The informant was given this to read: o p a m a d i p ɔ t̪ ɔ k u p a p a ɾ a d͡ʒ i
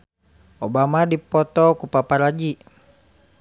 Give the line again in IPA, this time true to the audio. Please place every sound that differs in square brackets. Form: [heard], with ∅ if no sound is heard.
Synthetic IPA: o [b] a m a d i p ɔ t̪ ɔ k u p a p a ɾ a d͡ʒ i